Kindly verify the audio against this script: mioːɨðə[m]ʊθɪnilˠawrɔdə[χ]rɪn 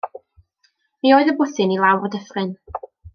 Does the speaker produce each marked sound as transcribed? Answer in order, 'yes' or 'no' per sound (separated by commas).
no, no